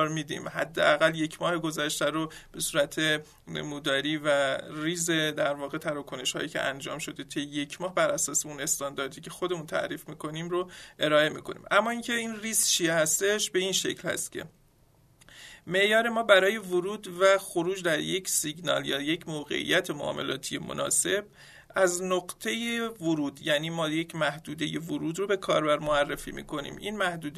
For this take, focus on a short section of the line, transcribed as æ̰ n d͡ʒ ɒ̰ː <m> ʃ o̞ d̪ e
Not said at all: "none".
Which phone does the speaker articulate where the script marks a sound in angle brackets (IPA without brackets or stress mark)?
m